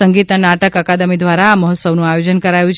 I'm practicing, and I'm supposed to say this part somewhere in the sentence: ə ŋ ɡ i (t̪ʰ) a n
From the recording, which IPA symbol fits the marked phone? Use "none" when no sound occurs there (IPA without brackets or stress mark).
t̪